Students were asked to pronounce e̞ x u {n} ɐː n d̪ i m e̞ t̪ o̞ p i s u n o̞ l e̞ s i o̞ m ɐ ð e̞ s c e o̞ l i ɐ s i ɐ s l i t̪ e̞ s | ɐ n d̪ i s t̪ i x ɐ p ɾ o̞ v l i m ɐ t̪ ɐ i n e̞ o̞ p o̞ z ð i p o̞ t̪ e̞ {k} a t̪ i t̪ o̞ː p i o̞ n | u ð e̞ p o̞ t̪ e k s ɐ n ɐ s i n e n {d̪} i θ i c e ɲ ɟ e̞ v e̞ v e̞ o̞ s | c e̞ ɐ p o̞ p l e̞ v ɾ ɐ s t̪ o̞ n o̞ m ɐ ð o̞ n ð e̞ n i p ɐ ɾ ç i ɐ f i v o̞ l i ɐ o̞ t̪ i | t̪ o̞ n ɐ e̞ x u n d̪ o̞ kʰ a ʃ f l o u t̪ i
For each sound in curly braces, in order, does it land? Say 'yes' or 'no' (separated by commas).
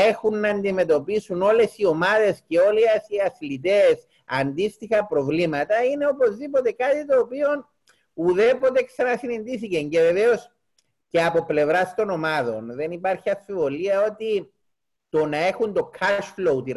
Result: no, yes, yes